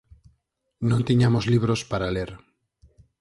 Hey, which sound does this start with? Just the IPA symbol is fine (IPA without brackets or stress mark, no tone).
n